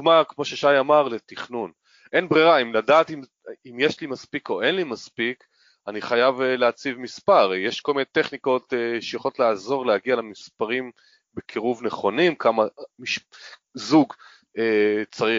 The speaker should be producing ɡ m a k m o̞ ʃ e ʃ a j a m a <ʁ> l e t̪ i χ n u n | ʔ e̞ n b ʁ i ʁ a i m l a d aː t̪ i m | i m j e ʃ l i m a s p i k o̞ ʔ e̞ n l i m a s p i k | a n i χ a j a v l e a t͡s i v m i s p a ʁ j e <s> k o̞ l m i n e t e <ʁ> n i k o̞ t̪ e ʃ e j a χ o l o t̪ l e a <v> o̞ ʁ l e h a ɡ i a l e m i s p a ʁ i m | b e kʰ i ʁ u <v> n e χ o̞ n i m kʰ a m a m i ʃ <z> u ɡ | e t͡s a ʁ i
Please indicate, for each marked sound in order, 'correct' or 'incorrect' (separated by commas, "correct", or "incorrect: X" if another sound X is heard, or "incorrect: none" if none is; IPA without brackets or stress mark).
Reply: correct, incorrect: ʃ, incorrect: χ, incorrect: z, correct, correct